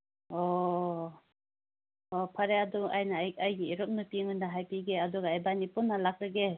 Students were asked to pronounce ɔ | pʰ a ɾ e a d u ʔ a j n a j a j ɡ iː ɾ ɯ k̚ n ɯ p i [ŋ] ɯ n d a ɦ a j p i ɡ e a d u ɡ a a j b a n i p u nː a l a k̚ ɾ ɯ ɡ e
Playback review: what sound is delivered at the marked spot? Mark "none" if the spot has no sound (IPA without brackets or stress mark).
ŋ